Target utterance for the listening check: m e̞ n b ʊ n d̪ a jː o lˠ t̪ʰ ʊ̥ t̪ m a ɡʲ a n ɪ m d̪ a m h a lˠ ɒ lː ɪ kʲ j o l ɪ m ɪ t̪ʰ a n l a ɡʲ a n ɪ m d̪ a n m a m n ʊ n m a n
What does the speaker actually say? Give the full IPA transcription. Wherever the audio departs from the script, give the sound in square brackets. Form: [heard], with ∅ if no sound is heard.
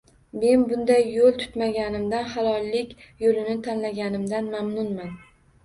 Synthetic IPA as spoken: m e̞ n b ʊ n d̪ a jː o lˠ t̪ʰ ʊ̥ t̪ m a ɡʲ a n ɪ m d̪ a [n] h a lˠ ɒ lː ɪ kʲ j o l ɪ [n] ɪ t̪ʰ a n l a ɡʲ a n ɪ m d̪ a n m a m n ʊ n m a n